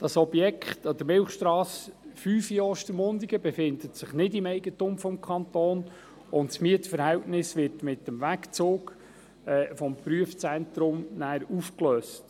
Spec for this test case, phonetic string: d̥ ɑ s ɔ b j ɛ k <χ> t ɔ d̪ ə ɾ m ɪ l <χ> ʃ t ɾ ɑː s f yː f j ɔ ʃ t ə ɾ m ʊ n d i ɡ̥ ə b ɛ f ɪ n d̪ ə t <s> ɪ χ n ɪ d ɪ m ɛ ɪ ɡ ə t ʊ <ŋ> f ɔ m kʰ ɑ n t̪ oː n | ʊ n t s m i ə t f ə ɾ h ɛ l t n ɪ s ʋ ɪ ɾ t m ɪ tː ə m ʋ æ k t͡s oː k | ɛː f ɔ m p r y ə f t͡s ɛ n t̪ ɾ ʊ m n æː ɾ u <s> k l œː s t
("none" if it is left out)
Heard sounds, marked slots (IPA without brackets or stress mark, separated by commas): χ, χ, s, m, f